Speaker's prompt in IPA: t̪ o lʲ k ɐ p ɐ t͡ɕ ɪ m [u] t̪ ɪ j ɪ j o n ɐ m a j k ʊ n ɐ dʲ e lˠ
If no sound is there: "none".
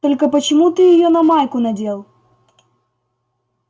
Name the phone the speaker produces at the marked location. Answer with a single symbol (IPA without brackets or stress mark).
u